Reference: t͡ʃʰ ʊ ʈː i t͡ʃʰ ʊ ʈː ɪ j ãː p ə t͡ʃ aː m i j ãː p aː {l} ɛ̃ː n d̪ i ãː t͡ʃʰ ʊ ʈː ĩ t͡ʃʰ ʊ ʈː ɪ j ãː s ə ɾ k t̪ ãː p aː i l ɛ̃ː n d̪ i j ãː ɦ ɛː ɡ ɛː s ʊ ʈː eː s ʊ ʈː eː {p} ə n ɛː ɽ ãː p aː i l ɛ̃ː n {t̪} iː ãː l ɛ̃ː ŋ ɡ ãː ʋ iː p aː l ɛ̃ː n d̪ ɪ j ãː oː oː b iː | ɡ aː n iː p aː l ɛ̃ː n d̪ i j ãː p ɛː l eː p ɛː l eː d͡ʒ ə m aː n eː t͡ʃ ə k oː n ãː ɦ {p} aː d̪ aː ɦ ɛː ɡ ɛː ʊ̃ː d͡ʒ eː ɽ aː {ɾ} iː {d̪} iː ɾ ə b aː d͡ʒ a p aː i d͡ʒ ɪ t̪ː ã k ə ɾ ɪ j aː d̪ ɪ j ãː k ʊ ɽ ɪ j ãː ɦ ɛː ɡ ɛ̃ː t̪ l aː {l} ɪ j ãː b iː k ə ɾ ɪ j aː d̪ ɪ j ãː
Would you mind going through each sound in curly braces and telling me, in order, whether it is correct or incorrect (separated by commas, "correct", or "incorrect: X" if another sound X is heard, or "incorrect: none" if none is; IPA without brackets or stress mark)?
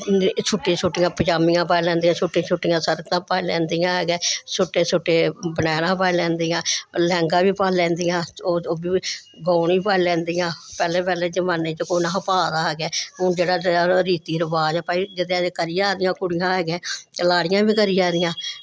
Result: correct, incorrect: b, incorrect: d̪, correct, correct, incorrect: t̪, incorrect: ɽ